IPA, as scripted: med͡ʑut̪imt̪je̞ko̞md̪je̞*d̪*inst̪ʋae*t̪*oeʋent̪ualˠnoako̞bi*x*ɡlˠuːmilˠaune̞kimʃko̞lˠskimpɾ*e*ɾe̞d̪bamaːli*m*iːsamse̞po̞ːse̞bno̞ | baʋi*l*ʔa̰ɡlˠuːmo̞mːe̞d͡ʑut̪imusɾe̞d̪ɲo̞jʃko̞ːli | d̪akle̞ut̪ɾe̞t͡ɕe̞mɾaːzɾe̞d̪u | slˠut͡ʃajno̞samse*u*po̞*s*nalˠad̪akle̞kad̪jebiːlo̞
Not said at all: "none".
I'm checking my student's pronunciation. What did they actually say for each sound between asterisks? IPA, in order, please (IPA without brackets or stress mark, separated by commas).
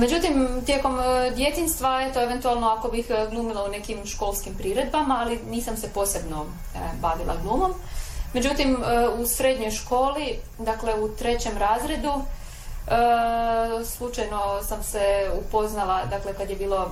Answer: t̪, t̪, x, i, n, l, u, z